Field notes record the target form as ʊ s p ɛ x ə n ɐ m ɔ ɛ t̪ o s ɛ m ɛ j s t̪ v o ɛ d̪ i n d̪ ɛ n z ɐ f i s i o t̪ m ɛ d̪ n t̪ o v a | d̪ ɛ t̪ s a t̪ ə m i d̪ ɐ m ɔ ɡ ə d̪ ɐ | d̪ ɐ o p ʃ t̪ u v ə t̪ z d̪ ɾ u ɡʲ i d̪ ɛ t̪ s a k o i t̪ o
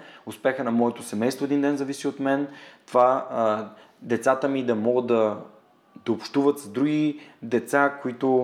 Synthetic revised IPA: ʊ s p ɛ x ə n ɐ m ɔ ɛ t̪ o s ɛ m ɛ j s t̪ v o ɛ d̪ i n d̪ ɛ n z ɐ v i s i o t̪ m ɛ n t̪ o v a | d̪ ɛ t̪ s a t̪ ə m i d̪ ɐ m ɔ ɡ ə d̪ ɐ | d̪ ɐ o p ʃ t̪ u v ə t̪ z d̪ ɾ u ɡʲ i d̪ ɛ t̪ s a k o i t̪ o